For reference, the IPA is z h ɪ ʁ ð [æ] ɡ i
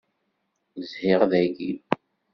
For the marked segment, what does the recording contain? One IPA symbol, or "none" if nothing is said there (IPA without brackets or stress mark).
æ